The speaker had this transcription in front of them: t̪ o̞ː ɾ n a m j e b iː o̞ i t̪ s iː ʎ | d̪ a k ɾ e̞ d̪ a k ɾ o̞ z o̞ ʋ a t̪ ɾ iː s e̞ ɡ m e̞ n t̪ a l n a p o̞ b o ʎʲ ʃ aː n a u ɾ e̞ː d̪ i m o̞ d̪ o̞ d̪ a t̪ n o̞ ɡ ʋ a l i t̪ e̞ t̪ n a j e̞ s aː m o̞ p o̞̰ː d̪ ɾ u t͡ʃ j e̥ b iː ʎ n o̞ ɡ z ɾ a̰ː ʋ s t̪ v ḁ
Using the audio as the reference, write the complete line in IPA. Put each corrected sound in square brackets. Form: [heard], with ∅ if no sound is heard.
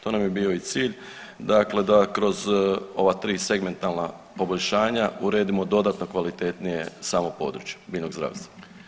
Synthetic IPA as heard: t̪ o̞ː [∅] n a m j e b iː o̞ i t̪ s iː ʎ | d̪ a k [l] e̞ d̪ a k ɾ o̞ z o̞ ʋ a t̪ ɾ iː s e̞ ɡ m e̞ n t̪ a l n a p o̞ b o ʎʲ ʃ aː [ɲ] a u ɾ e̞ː d̪ i m o̞ d̪ o̞ d̪ a t̪ n o̞ [k] ʋ a l i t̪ e̞ t̪ n [i] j e̞ s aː m o̞ p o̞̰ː d̪ ɾ u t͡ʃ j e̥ b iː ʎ n o̞ ɡ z ɾ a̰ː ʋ s t̪ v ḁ